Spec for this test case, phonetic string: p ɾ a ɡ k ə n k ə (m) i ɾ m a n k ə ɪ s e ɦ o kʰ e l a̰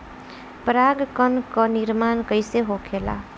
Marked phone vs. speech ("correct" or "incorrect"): incorrect